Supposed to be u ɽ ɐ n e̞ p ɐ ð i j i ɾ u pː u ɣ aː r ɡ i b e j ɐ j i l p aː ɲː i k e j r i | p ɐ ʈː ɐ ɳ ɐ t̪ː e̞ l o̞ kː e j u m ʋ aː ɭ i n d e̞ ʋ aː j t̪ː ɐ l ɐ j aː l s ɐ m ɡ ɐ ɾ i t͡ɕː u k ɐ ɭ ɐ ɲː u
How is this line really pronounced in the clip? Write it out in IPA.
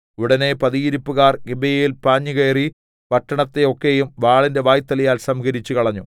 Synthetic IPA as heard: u ɽ ɐ n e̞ p ɐ ð i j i ɾ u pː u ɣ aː r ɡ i b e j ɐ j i l p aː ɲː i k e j r i | p ɐ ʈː ɐ ɳ ɐ t̪ː e̞ o̞ kː e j u m ʋ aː ɭ i n d e̞ ʋ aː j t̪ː ɐ l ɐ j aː l s ɐ m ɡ ɐ ɾ i t͡ɕː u k ɐ ɭ ɐ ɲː u

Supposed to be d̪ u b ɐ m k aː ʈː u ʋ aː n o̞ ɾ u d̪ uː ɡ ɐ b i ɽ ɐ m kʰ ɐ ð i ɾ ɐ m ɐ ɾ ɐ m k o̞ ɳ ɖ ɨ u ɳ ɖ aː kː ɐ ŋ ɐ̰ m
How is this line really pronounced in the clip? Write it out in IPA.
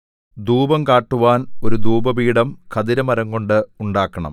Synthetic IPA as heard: d̪ uː b ɐ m k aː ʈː u ʋ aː n o̞ ɾ u d̪ uː b ɐ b iː ɽ ɐ m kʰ ɐ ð i ɾ ɐ m ɐ ɾ ɐ ŋ k o̞ ɳ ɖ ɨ u ɳ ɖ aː kː ɐ ɳ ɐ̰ m

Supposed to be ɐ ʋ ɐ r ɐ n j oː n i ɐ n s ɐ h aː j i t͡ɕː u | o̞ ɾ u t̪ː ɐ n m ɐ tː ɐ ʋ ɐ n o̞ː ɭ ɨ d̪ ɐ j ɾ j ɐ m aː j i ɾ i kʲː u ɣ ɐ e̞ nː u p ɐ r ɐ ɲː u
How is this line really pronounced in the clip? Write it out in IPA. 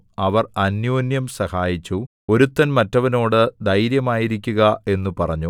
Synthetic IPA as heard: ɐ ʋ ɐ r ɐ n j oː n j ɐ m s ɐ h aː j i t͡ɕː u | o̞ ɾ u t̪ː ɐ n m ɐ tː ɐ ʋ ɐ n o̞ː ɽ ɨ d̪ ɐ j ɾ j ɐ m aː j i ɾ i kʲː u ɣ ɐ e̞ nː u p ɐ r ɐ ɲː u

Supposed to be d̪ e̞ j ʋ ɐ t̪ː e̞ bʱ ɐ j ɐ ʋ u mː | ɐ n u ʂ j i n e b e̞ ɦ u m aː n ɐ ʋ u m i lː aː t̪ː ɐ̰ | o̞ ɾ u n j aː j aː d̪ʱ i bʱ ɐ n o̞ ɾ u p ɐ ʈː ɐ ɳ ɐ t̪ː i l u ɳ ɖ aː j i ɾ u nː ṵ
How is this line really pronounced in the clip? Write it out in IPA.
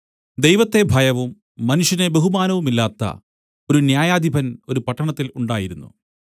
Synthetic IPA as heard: d̪ e̞ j ʋ ɐ t̪ː e̞ bʱ ɐ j ɐ ʋ u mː | ɐ n u ʂ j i n e b e̞ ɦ u m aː n ɐ ʋ u m i lː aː t̪ː ɐ̰ | o̞ ɾ u n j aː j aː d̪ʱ i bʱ ɐ n o̞ ɾ u p ɐ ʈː ɐ ɳ ɐ t̪ː i l u ɳ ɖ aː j i ɾ u nː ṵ

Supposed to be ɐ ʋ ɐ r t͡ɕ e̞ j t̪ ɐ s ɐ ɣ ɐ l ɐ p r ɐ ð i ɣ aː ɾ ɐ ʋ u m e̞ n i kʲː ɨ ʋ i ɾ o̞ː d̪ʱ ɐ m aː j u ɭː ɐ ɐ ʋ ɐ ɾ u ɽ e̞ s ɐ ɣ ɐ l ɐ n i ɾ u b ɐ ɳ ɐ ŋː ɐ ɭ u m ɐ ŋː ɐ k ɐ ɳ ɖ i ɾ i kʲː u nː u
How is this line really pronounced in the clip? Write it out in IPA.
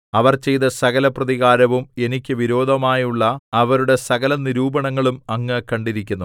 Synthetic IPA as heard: ɐ ʋ ɐ r t͡ɕ e̞ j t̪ ɐ s ɐ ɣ ɐ l ɐ p r ɐ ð i ɣ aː ɾ ɐ ʋ u m e̞ n i kʲː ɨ ʋ i ɾ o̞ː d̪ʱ ɐ m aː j u ɭː ɐ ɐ ʋ ɐ ɾ u ɽ e̞ s ɐ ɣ ɐ l ɐ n i ɾ uː b ɐ ɳ ɐ ŋː ɐ ɭ u m ɐ ŋː ɐ k ɐ ɳ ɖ i ɾ i kʲː u nː u

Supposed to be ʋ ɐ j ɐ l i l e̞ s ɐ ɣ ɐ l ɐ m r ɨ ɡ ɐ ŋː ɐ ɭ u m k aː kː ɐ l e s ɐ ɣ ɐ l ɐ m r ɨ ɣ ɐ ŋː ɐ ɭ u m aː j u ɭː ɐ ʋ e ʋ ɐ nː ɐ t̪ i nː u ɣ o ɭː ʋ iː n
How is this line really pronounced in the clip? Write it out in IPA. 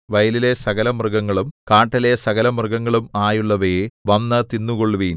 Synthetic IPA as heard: ʋ ɐ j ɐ l i l e̞ s ɐ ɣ ɐ l ɐ m r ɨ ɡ ɐ ŋː ɐ ɭ u m k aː ʈː ɐ l e s ɐ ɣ ɐ l ɐ m r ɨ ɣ ɐ ŋː ɐ ɭ u m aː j u ɭː ɐ ʋ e ʋ ɐ nː ɐ t̪ i nː u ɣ o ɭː ʋ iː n

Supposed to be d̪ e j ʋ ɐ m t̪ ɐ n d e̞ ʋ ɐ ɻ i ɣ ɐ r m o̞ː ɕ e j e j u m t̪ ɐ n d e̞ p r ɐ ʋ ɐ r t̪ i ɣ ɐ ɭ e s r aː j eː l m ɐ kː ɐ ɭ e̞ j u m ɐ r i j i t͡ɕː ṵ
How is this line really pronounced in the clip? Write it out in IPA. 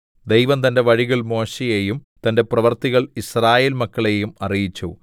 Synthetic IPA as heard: d̪ e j ʋ ɐ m t̪ ɐ n d e̞ ʋ ɐ ɻ i ɣ ɐ ɭ m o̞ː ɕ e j e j u m t̪ ɐ n d e̞ p r ɐ ʋ ɐ r t̪ i ɣ ɐ ɭ i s r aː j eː l m ɐ kː ɐ ɭ e̞ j u m ɐ r i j i t͡ɕː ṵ

